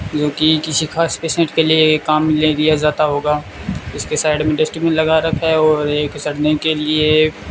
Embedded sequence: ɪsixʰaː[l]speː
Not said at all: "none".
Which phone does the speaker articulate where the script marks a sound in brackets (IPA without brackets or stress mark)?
none